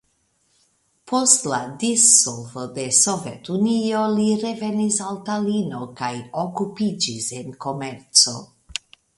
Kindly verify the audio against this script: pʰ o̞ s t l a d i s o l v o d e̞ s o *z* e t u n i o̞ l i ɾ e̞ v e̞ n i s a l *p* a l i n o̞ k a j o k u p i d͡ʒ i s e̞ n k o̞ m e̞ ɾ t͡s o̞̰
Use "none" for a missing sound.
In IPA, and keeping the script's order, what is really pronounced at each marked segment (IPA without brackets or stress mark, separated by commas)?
v, t